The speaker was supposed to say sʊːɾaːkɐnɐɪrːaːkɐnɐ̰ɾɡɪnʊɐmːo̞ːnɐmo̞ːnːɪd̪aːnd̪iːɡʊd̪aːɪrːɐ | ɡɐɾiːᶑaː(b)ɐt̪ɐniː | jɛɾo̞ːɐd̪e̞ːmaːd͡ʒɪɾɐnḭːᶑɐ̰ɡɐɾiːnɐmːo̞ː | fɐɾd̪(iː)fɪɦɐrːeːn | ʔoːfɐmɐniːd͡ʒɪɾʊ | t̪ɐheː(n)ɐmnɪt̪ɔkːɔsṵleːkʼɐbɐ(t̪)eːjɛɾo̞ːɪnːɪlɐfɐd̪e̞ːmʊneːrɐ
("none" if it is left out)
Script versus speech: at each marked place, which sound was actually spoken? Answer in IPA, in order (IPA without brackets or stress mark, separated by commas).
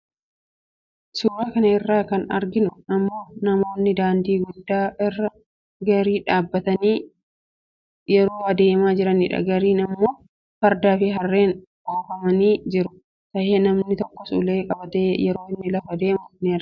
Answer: bː, aː, n, t̪